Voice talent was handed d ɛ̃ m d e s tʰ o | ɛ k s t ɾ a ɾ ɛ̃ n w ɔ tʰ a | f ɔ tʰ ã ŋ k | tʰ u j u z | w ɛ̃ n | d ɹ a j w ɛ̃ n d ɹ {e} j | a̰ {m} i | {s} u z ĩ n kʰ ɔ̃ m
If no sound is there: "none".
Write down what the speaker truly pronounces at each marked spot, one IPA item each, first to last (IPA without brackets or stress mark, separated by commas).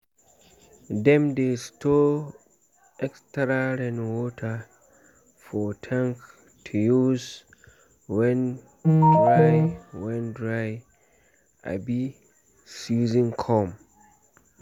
a, b, s